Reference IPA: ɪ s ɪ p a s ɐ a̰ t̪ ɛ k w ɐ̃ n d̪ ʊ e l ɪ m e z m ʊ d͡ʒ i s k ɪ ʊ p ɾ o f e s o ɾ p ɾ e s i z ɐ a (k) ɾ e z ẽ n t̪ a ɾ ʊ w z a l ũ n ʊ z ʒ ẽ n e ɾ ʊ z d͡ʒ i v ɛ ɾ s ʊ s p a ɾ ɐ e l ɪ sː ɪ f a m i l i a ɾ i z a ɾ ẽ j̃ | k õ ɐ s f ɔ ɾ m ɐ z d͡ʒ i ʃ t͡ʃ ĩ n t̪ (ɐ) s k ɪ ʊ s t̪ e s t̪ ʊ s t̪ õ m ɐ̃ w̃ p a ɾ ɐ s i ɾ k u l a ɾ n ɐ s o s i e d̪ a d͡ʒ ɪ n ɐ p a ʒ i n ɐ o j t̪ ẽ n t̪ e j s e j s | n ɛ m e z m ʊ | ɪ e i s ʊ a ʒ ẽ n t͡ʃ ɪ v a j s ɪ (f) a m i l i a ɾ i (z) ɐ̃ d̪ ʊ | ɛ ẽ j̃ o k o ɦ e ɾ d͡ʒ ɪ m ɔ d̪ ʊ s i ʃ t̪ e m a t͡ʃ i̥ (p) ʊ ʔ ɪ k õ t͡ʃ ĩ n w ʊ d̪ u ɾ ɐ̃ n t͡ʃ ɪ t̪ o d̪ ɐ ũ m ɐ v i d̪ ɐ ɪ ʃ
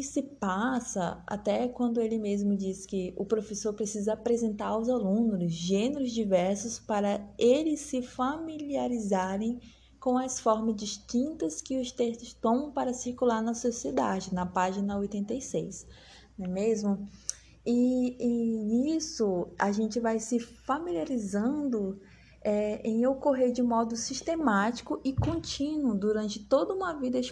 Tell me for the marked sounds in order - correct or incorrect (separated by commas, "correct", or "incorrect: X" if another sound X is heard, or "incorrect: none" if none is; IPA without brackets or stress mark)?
incorrect: p, correct, correct, correct, incorrect: k